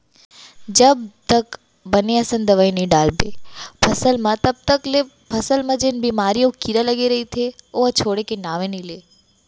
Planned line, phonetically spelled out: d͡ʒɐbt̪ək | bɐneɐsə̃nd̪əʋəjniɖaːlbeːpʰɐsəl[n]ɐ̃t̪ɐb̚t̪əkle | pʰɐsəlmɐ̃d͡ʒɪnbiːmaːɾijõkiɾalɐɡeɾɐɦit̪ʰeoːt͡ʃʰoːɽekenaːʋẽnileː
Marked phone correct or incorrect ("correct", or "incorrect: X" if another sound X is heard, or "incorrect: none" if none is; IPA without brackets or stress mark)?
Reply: incorrect: m